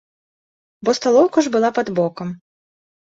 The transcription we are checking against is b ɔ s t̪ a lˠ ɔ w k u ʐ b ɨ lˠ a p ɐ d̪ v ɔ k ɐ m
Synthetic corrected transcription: b ɔ s t̪ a lˠ ɔ w k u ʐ b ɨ lˠ a p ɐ d̪ b ɔ k ɐ m

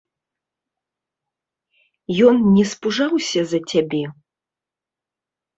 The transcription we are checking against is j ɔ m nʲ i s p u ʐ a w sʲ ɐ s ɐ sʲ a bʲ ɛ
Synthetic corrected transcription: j ɔ n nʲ ɛ s p u ʐ a w sʲ ɐ z ɐ t͡sʲ a bʲ ɛ

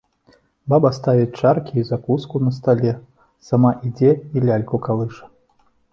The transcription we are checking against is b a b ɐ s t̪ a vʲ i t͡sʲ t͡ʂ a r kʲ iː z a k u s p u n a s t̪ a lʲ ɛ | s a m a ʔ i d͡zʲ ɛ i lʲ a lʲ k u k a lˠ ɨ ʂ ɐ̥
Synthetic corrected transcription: b a b ɐ s t̪ a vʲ i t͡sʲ t͡ʂ a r kʲ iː z a k u s k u n ɐ s t̪ a lʲ ɛ | s a m a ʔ i d͡zʲ ɛ i lʲ a lʲ k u k a lˠ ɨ ʂ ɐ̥

